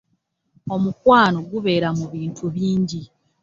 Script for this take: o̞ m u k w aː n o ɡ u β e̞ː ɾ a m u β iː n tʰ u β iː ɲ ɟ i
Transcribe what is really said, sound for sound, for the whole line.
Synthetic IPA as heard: o̞ m u k w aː n o ɡ u β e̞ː ɾ a m u β iː n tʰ u β iː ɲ ɟ i